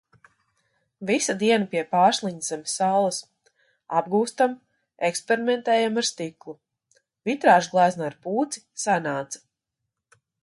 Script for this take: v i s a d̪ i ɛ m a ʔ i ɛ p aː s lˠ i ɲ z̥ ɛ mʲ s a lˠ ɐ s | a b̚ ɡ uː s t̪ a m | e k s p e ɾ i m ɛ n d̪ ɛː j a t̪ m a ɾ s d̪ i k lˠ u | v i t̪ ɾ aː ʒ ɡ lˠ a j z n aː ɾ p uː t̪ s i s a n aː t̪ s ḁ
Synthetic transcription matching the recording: v i s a d̪ i ɛ n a p i ɛ p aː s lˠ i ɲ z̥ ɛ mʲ s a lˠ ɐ s | a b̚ ɡ uː s t̪ a m | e k s p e ɾ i m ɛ n t̪ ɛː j a m a ɾ s t̪ i k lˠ u | v i t̪ ɾ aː ʒ ɡ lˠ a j z n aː ɾ p uː t̪ s i s a n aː t̪ s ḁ